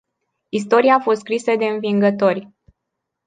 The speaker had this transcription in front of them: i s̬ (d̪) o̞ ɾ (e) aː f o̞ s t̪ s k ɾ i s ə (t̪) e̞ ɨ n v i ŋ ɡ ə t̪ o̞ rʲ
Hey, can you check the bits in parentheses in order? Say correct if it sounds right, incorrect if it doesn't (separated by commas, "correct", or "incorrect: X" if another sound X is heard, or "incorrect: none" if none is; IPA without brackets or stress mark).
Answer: incorrect: t̪, incorrect: i, incorrect: d̪